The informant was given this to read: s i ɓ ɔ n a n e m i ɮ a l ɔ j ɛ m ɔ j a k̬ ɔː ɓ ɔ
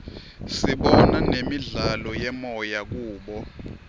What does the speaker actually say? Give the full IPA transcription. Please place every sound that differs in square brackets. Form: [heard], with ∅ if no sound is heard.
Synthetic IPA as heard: s i ɓ ɔ n a n e m i ɮ a l ɔ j ɛ m ɔ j a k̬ [uː] ɓ ɔ